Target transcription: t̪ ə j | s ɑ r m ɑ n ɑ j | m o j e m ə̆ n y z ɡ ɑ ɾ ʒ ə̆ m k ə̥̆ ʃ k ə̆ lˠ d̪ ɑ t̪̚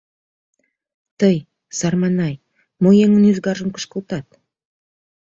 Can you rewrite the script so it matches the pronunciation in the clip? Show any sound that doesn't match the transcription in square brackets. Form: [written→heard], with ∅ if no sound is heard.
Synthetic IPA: t̪ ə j | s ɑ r m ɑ n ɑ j | m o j e [m→ŋ] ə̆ n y z ɡ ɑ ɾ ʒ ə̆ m k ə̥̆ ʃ k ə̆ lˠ [d̪→t̪] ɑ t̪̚